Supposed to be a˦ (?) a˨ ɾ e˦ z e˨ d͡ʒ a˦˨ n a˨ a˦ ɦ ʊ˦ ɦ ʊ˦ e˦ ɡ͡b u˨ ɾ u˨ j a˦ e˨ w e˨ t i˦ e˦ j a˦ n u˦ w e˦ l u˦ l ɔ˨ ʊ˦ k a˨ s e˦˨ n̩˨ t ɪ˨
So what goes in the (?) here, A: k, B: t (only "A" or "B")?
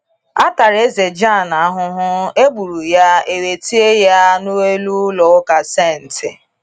B